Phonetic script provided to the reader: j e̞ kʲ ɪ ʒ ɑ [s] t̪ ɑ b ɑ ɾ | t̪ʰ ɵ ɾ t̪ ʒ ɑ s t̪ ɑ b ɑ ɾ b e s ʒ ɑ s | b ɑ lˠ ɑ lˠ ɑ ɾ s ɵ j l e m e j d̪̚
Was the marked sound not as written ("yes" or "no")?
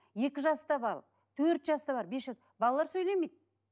no